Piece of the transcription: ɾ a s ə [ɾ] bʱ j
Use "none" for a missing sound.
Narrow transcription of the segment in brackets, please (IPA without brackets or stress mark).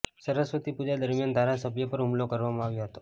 none